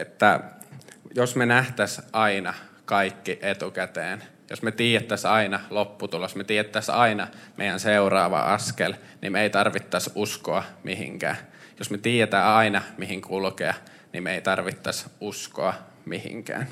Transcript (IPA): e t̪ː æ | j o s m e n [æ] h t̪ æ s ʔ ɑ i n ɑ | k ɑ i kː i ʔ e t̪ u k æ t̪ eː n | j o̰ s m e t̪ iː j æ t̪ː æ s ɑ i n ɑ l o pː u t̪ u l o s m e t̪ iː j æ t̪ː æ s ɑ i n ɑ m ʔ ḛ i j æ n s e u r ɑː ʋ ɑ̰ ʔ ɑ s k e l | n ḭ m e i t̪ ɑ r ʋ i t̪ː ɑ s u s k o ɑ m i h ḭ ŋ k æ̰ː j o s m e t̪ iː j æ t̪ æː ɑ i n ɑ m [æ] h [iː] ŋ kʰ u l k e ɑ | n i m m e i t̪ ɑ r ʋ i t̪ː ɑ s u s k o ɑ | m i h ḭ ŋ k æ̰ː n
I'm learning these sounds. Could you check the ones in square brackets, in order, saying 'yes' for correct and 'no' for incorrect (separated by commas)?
yes, no, no